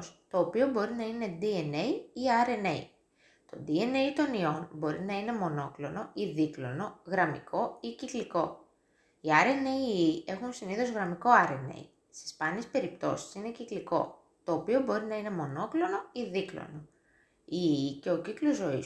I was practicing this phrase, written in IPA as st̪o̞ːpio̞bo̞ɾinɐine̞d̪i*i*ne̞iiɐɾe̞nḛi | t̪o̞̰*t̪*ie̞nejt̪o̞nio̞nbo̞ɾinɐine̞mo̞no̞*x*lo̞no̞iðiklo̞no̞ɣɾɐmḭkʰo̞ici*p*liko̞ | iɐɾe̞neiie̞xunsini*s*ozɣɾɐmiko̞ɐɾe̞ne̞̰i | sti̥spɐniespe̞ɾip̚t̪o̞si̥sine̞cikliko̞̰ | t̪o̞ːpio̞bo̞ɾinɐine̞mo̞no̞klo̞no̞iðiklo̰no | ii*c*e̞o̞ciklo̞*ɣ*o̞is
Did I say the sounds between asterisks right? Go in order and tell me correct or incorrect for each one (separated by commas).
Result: incorrect, incorrect, incorrect, incorrect, incorrect, correct, incorrect